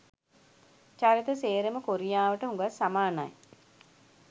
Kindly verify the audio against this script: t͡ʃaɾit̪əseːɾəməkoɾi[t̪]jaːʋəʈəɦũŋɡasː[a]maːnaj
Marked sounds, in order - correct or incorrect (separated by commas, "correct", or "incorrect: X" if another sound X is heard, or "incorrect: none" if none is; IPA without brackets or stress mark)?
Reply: incorrect: none, correct